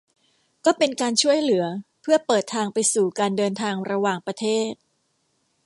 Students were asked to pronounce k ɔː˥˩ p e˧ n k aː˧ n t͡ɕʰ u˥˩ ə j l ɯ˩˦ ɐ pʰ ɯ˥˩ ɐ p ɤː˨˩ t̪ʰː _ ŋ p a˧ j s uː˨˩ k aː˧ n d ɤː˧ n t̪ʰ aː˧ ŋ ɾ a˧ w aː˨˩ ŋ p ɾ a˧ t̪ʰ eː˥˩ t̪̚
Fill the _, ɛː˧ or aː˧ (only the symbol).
aː˧